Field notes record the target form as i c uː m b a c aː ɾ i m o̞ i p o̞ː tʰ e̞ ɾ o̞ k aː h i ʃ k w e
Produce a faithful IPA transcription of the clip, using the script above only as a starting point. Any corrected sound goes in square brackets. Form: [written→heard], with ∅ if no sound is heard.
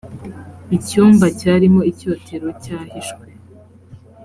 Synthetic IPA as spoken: i c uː m b a c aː ɾ i m o̞ i [p→c] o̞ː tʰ e̞ ɾ o̞ [k→c] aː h i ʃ k w e